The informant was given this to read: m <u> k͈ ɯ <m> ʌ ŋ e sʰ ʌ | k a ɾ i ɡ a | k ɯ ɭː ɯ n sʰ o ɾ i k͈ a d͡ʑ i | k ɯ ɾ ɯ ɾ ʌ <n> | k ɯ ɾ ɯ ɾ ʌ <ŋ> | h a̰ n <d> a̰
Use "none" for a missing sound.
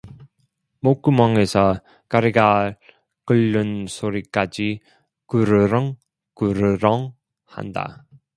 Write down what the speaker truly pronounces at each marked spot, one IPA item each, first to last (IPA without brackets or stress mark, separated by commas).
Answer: o, m, ŋ, ŋ, d